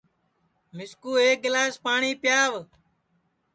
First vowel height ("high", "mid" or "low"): high